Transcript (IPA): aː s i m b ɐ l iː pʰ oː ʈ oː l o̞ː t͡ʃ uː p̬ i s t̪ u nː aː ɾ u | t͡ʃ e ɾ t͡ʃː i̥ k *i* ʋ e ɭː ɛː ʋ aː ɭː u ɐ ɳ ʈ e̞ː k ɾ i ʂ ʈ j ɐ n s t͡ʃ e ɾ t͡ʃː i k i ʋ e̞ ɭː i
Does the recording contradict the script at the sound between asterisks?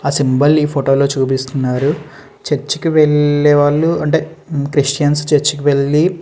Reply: no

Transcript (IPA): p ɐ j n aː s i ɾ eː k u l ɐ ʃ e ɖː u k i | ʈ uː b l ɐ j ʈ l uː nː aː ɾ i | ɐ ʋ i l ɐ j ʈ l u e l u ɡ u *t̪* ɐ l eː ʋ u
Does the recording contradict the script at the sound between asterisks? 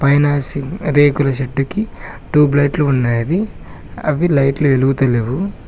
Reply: no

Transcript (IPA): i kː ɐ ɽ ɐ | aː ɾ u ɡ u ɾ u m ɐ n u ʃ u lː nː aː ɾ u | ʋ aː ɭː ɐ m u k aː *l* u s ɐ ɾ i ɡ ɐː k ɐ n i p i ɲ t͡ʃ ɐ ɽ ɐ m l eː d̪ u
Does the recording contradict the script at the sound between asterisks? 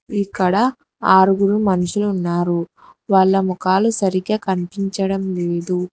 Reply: no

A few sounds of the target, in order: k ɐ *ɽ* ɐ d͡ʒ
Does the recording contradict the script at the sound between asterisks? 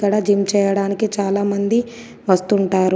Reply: no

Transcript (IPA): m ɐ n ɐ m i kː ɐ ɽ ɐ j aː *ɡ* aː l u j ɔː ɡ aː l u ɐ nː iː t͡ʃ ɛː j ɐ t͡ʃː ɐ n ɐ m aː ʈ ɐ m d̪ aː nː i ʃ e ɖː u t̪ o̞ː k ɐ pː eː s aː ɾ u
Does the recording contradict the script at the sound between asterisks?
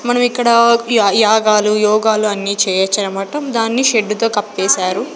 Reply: no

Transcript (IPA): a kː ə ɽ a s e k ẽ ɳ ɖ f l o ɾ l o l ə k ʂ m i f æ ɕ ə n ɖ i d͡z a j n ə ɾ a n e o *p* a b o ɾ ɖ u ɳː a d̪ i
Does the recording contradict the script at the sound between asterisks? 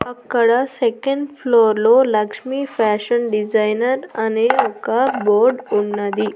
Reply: yes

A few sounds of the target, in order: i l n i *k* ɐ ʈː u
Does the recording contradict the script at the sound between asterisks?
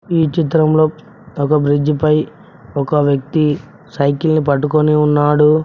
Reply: yes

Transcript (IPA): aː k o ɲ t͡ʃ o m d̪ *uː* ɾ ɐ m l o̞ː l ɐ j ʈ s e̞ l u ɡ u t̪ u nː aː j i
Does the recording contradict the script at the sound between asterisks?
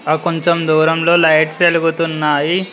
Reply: no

